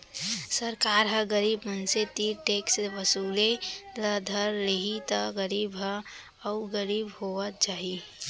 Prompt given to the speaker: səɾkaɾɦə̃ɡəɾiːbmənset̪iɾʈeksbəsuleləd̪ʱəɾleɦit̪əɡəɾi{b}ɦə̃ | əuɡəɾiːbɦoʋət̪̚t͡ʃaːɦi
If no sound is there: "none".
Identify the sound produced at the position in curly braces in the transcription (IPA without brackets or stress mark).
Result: b